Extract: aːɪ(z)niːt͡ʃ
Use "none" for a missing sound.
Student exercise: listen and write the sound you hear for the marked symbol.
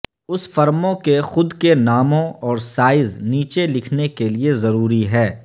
z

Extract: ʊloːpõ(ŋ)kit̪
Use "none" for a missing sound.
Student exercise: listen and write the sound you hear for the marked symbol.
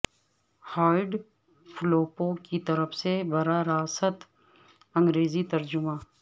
none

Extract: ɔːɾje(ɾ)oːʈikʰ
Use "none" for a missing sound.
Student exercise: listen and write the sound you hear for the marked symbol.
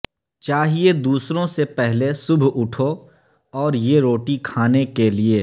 ɾ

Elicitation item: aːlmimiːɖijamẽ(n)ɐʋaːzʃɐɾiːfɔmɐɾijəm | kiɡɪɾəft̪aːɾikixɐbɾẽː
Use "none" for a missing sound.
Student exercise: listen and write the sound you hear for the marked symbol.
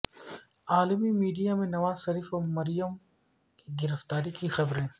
n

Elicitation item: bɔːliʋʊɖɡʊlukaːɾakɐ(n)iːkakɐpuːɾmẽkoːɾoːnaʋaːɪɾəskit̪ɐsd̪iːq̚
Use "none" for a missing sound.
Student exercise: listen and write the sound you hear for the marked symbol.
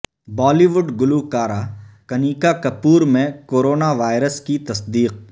n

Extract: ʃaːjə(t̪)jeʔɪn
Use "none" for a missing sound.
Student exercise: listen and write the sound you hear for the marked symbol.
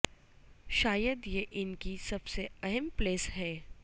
d̪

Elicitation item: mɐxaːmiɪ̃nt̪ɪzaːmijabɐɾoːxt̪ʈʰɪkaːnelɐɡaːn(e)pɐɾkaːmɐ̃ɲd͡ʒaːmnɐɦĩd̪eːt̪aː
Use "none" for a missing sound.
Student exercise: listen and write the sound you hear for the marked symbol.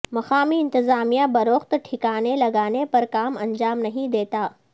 e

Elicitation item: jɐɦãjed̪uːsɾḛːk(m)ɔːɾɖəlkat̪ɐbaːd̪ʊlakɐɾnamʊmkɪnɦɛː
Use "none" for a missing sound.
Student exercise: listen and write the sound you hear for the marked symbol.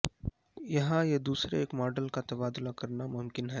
m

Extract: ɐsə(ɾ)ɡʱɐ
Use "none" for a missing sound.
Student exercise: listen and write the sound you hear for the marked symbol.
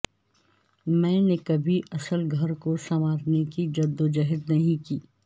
l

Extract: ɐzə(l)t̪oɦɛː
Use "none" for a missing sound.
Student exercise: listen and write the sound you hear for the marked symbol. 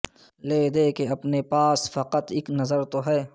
ɾ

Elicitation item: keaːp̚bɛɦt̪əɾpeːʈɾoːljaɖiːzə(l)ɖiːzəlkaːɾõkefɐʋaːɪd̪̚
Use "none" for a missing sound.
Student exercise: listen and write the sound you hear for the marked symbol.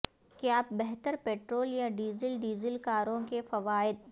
l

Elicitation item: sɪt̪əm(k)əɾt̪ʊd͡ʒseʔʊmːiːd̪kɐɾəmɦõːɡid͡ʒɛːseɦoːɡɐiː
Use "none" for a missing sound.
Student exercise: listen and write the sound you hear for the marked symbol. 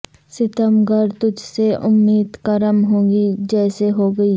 ɡ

